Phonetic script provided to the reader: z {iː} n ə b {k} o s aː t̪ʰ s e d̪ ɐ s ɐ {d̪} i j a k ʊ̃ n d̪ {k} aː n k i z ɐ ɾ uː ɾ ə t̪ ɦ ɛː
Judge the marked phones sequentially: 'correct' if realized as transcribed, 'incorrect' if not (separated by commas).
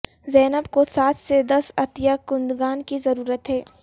incorrect, correct, incorrect, incorrect